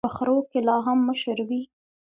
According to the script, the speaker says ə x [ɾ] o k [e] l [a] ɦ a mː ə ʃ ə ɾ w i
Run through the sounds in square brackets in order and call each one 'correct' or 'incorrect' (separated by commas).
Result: correct, correct, incorrect